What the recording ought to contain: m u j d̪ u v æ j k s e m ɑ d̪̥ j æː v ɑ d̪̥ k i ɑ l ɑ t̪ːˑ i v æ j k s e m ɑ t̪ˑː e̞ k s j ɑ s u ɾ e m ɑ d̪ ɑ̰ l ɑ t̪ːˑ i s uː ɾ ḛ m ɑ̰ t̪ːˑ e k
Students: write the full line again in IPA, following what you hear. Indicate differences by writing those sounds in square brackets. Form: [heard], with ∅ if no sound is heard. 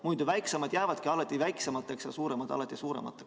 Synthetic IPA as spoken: m u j d̪ u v æ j k s e m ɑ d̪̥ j æː v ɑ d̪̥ k i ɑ l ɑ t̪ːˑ i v æ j k s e m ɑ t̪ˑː e̞ k s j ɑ s [uː] ɾ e m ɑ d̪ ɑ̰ l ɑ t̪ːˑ i s uː ɾ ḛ m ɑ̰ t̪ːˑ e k